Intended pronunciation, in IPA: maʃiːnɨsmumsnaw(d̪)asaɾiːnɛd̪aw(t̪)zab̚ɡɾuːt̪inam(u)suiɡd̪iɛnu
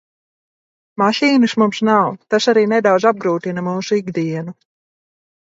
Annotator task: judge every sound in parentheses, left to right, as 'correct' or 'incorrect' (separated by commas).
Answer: incorrect, incorrect, incorrect